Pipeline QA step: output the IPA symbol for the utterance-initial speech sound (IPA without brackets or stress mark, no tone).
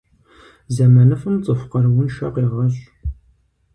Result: z